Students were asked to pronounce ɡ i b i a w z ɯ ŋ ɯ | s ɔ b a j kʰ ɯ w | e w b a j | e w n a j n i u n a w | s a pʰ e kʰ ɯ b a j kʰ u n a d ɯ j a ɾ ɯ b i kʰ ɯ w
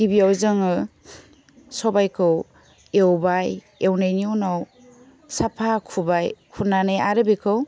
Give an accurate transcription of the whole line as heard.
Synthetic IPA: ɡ i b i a w z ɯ ŋ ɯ | s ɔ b a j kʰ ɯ w | e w b a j | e w n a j n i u n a w | s a pʰ a kʰ u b a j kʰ u n a n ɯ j a ɾ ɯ b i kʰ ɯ w